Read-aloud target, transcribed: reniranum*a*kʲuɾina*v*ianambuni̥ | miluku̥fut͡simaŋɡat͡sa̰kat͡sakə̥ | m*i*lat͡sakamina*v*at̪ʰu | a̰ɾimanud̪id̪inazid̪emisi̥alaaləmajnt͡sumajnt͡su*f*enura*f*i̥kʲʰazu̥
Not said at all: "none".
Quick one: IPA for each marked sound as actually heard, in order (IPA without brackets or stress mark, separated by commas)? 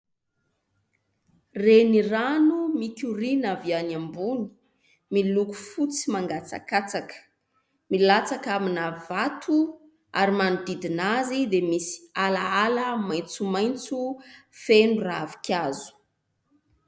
i, v, i, v, f, v